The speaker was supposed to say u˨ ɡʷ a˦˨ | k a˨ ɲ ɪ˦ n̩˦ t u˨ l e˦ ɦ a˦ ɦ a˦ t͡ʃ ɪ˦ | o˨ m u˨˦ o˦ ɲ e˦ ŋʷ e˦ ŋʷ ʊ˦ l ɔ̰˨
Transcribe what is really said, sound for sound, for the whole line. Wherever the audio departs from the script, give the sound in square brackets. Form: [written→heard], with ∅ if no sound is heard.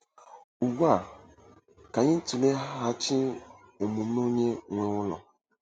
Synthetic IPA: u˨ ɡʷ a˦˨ | k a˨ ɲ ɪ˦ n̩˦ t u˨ l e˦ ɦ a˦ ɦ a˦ t͡ʃ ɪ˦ | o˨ m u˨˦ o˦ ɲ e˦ ŋʷ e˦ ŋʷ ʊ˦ l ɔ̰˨